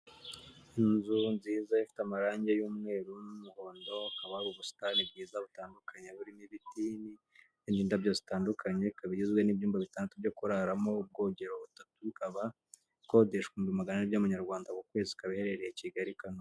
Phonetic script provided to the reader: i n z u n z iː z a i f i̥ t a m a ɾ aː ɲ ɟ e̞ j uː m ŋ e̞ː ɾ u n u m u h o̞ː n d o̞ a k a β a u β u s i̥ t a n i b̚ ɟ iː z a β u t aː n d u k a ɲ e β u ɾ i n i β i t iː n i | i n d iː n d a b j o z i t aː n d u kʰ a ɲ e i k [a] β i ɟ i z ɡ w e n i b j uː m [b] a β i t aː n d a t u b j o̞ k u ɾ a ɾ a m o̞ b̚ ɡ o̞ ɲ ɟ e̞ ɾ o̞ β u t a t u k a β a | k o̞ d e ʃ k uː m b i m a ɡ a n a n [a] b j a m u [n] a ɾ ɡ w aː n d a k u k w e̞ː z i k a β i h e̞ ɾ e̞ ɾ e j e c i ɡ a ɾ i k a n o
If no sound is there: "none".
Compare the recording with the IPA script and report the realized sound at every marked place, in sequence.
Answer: a, b, i, ɲ

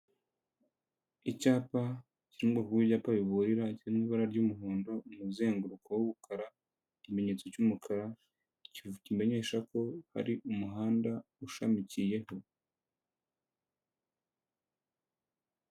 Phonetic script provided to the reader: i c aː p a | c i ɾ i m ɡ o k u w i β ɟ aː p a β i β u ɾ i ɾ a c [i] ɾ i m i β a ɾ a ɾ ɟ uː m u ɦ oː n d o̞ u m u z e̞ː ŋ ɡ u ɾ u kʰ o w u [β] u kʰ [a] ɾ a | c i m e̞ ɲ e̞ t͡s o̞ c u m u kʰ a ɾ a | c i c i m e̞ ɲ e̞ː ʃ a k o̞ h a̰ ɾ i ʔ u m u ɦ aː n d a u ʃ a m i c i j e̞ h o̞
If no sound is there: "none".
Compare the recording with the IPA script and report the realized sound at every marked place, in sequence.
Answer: i, β, a

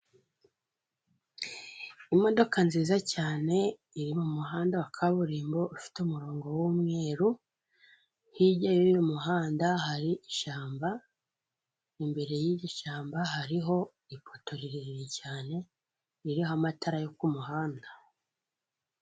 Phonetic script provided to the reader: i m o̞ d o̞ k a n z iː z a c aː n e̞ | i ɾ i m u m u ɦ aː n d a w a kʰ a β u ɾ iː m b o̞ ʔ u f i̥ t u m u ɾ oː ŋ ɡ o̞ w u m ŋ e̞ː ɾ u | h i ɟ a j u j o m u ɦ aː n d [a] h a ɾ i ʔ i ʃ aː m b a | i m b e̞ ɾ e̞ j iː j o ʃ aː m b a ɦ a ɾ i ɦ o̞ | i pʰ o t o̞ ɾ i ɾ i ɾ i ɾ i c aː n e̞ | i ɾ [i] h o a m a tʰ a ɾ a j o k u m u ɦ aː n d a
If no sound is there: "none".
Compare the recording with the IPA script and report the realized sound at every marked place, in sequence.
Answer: a, i

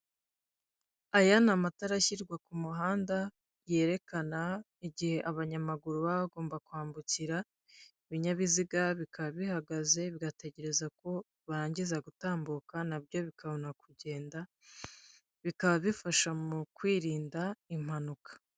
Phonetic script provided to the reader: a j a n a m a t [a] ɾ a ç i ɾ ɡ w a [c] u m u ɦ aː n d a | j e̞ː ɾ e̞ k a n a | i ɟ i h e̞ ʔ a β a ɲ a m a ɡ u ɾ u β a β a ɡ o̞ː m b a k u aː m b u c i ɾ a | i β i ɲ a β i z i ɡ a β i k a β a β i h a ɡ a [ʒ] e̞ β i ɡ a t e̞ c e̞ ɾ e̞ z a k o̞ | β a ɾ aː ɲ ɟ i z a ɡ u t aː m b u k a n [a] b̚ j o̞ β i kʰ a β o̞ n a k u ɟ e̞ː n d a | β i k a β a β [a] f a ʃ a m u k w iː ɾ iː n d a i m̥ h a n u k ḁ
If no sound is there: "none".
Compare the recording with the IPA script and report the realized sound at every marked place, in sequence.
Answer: a, k, z, a, i

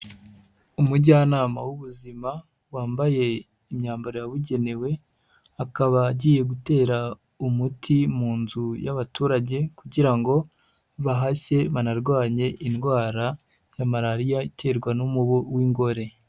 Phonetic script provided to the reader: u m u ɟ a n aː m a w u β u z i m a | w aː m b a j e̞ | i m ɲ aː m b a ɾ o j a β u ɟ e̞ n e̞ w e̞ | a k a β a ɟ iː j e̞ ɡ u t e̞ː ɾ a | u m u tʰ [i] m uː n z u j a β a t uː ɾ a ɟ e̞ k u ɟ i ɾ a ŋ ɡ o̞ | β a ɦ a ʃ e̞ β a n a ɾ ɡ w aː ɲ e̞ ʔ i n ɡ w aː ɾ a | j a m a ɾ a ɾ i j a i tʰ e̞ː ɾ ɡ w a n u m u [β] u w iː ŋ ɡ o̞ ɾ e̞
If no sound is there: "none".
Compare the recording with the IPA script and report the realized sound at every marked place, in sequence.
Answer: i, β

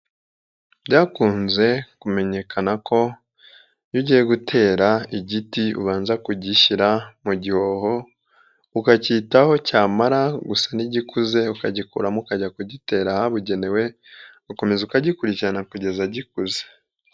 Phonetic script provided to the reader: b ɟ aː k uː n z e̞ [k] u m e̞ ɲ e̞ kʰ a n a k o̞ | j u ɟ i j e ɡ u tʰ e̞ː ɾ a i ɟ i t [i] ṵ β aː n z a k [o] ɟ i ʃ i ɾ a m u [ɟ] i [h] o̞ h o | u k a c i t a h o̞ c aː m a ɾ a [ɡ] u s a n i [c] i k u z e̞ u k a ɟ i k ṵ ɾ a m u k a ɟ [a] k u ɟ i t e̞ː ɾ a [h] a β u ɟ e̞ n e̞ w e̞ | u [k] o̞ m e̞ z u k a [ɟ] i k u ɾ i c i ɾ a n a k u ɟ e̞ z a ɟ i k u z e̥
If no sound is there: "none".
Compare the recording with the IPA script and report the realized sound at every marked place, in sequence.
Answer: k, i, u, ɟ, h, ɡ, ɟ, a, h, k, ɟ

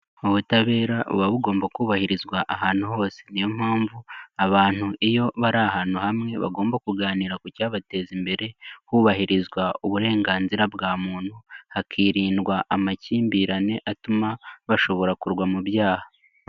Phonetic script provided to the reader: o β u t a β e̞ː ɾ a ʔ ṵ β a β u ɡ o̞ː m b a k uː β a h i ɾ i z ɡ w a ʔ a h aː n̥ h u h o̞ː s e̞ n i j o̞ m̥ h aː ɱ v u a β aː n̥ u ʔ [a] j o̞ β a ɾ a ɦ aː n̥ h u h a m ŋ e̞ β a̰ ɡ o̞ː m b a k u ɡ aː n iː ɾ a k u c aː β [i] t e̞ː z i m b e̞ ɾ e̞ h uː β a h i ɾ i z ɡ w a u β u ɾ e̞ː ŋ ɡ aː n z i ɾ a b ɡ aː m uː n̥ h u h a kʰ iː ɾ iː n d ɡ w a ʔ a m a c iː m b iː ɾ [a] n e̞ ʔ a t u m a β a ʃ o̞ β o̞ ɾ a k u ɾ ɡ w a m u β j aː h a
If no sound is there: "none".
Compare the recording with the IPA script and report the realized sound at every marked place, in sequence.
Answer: i, a, a

